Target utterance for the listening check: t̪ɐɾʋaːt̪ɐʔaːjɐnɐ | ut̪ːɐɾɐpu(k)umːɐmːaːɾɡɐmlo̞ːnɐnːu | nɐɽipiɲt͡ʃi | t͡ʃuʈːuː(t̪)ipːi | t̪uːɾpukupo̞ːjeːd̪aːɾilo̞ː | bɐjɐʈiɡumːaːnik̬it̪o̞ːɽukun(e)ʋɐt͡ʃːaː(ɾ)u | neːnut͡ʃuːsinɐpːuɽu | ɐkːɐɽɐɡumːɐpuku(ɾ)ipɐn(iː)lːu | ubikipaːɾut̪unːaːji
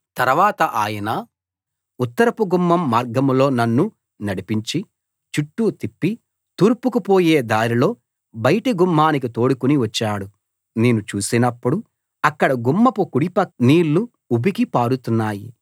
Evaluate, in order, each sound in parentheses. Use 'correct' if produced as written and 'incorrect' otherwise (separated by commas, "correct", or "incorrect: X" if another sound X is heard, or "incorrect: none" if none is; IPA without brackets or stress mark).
incorrect: ɡ, correct, incorrect: i, incorrect: ɽ, incorrect: ɽ, correct